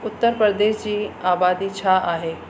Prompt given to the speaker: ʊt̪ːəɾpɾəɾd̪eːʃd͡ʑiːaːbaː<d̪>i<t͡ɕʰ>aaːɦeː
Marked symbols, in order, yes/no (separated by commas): yes, yes